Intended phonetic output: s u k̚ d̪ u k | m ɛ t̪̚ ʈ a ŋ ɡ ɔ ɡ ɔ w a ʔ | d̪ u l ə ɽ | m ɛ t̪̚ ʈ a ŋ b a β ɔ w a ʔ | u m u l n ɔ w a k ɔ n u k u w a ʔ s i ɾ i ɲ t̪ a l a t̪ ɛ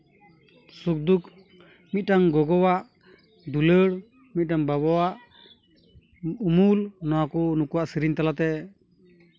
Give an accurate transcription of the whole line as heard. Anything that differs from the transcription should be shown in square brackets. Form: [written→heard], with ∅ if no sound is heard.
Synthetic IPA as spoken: s u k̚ d̪ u k | m [ɛ→i] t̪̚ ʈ a ŋ ɡ ɔ ɡ ɔ w a ʔ | d̪ u l ə ɽ | m [ɛ→i] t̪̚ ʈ a ŋ b a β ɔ w a ʔ | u m u l n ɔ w a k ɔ n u k u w a ʔ s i ɾ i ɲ t̪ a l a t̪ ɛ